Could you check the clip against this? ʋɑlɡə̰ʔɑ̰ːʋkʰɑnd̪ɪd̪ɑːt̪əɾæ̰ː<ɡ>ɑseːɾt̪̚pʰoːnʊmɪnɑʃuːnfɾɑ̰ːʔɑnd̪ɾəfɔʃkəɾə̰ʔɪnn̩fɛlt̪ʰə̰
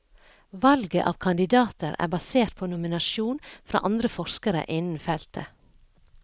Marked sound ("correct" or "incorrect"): incorrect